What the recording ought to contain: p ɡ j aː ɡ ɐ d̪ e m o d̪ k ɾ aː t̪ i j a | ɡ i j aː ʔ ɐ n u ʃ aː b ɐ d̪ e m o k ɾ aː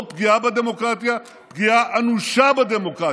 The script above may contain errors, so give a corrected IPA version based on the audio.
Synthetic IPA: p ɡ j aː b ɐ d̪ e m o k ɾ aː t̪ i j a | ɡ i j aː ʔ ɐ n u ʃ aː b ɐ d̪ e m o k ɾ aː